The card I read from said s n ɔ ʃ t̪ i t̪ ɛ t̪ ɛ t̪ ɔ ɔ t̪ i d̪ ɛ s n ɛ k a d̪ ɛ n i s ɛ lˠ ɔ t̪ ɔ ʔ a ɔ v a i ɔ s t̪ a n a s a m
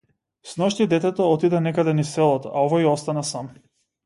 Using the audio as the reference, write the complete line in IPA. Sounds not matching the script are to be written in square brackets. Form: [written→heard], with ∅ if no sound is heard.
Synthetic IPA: s n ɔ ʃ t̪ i [t̪→d̪] ɛ t̪ ɛ t̪ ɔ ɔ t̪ i d̪ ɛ [s→∅] n ɛ k a d̪ ɛ n i s ɛ lˠ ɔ t̪ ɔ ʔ a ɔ v a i ɔ s t̪ a n a s a m